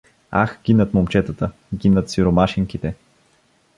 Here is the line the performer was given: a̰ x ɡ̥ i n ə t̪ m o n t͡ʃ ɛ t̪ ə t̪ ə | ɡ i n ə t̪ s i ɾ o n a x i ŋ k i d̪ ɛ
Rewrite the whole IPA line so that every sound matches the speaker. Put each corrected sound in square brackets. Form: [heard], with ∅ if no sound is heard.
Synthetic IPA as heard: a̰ x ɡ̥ i n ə t̪ m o [m] t͡ʃ ɛ t̪ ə t̪ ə | ɡ i n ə t̪ s i ɾ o [m] a [ʃ] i ŋ k i [t̪] ɛ